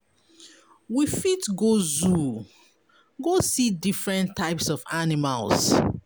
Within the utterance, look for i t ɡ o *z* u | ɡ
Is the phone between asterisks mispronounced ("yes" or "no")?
no